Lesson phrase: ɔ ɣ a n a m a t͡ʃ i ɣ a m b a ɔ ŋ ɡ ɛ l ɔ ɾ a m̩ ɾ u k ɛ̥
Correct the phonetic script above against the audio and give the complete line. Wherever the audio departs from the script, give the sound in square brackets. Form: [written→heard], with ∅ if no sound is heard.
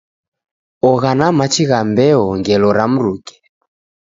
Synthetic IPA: ɔ ɣ a n a m a t͡ʃ i ɣ a m b [a→ɛ] ɔ ŋ ɡ ɛ l ɔ ɾ a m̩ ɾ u k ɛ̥